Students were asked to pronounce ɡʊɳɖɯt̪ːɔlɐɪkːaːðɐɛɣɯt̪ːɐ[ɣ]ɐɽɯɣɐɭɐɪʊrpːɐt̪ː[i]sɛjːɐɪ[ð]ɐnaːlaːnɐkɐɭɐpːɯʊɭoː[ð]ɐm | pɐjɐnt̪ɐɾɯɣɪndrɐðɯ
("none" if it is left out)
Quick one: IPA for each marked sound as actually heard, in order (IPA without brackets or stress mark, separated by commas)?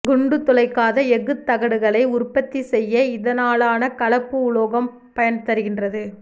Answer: ɣ, i, ð, ɣ